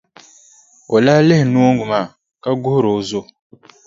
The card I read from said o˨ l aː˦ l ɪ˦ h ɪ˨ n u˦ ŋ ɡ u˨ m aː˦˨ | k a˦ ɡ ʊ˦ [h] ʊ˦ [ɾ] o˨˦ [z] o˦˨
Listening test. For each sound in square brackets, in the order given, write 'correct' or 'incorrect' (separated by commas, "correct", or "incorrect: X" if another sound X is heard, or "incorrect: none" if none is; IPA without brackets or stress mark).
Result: correct, correct, correct